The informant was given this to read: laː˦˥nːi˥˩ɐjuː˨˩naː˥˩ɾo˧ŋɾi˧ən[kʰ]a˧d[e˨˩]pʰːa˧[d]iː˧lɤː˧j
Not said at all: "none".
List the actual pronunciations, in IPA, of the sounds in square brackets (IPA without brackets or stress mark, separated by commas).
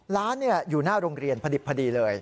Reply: pʰ, i˨˩, d